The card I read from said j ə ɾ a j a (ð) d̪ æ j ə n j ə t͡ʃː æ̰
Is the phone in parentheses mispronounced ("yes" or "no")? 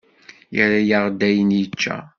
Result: yes